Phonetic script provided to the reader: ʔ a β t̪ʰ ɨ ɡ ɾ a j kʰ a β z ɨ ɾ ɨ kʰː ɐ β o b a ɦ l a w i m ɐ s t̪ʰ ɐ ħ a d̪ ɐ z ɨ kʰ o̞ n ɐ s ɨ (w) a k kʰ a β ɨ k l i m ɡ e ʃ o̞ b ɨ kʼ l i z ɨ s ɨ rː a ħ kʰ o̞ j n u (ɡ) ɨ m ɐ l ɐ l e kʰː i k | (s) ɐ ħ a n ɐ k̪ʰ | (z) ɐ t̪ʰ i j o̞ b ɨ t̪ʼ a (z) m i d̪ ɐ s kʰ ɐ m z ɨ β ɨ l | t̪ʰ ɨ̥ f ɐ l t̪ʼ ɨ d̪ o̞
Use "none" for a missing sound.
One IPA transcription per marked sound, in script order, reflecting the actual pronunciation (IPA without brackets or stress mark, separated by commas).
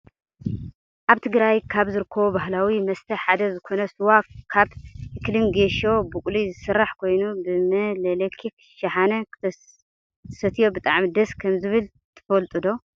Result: w, b, ʃ, s, ʕ